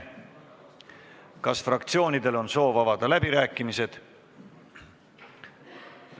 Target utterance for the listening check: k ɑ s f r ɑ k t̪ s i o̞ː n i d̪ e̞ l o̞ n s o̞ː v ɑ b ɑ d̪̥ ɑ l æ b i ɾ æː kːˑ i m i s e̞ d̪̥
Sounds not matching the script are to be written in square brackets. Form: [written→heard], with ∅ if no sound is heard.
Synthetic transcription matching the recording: k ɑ s f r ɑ k t̪ s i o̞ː n i d̪ e̞ l o̞ n s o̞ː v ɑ [b→v] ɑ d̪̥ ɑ l æ b i ɾ æː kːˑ i m i s e̞ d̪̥

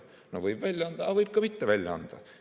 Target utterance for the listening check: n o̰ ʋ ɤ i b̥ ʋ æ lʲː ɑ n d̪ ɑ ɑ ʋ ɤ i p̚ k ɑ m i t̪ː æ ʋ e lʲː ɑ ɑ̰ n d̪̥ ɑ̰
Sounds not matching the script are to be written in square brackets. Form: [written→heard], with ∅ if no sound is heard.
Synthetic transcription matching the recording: n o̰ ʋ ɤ i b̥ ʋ æ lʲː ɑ n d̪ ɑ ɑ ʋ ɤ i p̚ k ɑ m i t̪ː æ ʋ [e→æ] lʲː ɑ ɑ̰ n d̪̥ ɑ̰

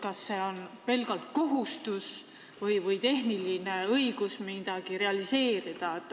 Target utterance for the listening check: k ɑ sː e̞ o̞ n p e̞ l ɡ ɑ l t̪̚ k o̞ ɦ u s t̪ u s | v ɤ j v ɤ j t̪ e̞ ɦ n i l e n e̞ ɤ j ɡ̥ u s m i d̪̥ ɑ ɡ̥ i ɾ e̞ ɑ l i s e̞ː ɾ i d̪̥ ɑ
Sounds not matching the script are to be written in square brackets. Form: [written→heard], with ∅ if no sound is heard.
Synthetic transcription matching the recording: k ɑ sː e̞ o̞ n p e̞ l ɡ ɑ l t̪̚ k o̞ ɦ u s t̪ u s | v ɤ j v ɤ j t̪ e̞ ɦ n i l [e→i] n e̞ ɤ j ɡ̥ u s m i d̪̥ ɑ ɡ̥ i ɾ e̞ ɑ l i s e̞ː ɾ i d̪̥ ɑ

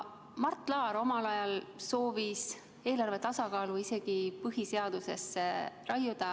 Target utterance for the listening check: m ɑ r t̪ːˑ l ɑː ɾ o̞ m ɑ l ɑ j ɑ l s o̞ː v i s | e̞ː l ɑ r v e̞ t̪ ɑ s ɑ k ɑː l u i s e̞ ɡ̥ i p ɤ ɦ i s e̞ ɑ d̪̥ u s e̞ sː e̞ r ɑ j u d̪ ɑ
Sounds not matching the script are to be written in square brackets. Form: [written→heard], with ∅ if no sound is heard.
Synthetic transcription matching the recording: m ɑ r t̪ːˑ l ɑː ɾ o̞ m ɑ l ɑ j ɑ l s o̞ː v i s | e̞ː l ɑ r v e̞ t̪ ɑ s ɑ k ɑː l u i s e̞ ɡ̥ i p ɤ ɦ i s e̞ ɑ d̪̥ u s e̞ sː e̞ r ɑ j u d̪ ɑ

